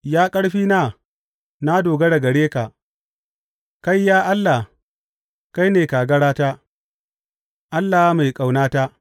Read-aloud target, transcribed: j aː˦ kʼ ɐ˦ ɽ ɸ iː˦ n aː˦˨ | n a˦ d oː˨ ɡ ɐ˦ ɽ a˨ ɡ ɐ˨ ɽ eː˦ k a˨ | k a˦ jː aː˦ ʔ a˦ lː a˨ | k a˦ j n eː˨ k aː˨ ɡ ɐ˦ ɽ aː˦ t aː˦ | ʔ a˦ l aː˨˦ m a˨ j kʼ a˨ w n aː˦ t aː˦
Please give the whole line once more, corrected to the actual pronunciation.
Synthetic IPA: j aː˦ kʼ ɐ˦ ɽ ɸ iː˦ n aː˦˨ | n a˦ d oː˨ ɡ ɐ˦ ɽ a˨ ɡ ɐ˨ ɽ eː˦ k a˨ | k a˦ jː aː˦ ʔ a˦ lː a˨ | k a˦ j n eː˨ k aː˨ ɡ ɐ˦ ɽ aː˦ t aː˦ | ʔ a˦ lː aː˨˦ m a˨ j kʼ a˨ w n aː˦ t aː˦